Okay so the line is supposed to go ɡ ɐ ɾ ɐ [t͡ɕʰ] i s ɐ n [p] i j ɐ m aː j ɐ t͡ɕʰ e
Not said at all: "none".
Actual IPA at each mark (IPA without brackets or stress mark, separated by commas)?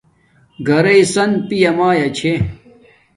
none, p